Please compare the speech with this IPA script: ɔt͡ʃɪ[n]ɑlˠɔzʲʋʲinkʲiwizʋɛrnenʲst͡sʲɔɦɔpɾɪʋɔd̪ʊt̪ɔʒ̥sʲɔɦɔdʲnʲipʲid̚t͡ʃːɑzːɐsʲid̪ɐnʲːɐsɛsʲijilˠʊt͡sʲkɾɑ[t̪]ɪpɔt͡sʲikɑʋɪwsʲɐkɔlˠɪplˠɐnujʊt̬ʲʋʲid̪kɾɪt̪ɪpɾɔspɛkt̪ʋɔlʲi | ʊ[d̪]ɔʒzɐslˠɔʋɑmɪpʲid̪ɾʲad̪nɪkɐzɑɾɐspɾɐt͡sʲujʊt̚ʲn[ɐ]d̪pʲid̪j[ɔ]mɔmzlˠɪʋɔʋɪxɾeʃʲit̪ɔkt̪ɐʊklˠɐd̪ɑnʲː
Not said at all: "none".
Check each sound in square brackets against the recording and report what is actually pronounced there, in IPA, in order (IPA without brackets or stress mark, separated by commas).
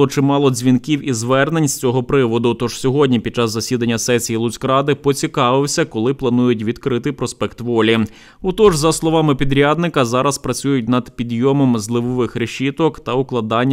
m, d̪, t̪, ɐ, ɔ